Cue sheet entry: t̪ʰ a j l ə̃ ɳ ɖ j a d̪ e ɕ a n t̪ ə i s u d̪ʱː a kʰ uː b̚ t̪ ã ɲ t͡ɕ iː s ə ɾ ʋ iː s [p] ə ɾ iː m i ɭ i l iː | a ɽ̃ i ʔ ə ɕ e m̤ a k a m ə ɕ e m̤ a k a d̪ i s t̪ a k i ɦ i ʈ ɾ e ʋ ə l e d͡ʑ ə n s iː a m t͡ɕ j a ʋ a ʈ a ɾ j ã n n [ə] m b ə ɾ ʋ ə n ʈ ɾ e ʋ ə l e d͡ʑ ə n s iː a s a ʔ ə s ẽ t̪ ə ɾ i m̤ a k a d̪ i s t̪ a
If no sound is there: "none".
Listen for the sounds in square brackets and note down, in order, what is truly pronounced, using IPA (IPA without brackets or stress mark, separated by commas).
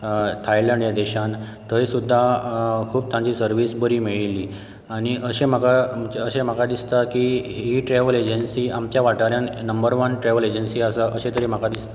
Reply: b, ə